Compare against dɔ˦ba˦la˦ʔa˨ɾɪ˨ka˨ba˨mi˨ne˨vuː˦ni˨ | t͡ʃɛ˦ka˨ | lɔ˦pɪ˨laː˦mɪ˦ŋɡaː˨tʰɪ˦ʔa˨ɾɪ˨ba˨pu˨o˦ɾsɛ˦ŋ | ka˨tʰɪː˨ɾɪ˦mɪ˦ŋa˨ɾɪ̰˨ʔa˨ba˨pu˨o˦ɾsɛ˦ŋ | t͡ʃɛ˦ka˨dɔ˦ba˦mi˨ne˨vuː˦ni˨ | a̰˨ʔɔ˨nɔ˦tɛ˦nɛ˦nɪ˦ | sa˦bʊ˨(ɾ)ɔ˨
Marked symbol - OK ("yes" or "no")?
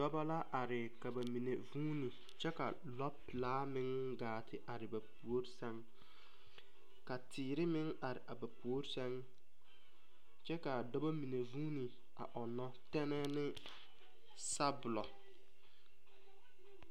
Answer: no